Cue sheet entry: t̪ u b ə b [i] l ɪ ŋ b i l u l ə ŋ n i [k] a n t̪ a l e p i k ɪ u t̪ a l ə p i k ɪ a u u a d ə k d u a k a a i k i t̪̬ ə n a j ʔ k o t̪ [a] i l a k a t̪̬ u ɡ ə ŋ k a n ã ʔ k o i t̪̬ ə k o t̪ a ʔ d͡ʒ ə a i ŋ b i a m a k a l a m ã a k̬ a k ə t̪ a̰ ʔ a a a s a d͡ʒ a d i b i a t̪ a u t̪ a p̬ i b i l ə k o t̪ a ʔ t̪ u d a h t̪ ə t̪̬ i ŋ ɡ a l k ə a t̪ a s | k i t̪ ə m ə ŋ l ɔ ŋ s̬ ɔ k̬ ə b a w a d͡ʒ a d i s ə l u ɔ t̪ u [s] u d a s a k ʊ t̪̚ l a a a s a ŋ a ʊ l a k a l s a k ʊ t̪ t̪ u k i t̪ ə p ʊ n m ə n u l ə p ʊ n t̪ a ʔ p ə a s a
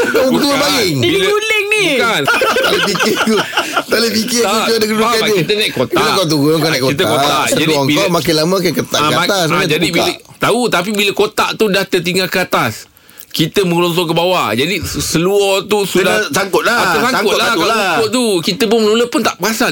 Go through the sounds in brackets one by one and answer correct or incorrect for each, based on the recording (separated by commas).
incorrect, correct, correct, correct